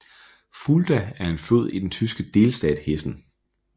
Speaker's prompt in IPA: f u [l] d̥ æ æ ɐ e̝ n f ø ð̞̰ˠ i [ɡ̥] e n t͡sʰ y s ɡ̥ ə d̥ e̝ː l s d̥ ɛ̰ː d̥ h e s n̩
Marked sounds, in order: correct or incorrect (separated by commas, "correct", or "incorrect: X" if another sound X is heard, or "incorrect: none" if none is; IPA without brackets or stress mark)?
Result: correct, incorrect: d̥